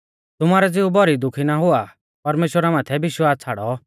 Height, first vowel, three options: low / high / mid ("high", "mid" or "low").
high